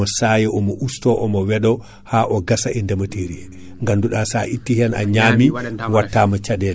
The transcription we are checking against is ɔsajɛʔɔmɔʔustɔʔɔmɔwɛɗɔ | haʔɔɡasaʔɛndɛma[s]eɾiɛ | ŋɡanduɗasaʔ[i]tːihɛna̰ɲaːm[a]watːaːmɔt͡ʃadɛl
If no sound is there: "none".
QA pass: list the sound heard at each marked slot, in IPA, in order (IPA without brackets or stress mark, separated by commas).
t, i, i